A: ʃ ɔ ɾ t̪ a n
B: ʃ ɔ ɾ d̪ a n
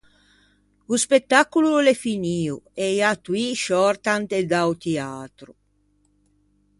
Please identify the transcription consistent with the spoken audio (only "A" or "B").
A